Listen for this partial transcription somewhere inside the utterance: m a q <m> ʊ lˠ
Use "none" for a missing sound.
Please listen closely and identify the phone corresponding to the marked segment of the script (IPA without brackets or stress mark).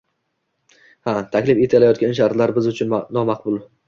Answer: b